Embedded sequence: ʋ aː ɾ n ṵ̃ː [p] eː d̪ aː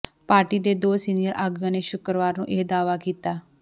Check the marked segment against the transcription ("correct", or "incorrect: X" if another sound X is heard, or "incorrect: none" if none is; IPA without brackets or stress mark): incorrect: ʔ